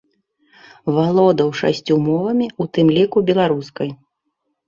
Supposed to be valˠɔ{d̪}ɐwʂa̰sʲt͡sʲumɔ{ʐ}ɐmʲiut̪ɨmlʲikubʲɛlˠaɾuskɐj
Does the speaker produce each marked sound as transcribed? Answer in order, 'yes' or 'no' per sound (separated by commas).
yes, no